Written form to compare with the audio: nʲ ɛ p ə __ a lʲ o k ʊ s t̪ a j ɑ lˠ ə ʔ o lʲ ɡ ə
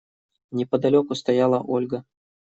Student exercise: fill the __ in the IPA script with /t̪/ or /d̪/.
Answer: d̪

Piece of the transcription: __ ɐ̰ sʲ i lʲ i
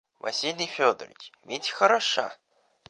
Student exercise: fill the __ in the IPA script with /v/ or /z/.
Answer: v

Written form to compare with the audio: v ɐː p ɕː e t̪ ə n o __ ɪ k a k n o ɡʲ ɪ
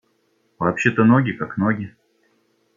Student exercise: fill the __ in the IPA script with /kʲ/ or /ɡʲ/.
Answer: ɡʲ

